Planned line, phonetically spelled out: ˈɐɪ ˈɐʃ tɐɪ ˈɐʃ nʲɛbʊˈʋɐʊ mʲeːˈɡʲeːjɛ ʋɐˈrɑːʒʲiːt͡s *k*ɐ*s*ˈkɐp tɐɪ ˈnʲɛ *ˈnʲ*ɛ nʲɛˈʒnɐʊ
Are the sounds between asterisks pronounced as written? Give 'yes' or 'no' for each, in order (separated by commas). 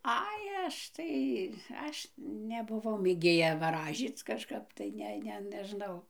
yes, no, yes